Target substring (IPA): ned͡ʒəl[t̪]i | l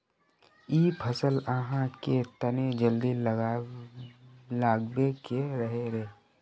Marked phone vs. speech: incorrect: d̪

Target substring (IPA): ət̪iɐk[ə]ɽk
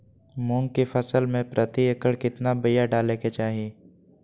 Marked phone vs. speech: correct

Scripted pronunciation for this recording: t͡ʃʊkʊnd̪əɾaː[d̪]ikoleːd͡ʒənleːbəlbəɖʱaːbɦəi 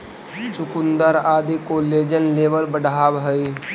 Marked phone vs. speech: correct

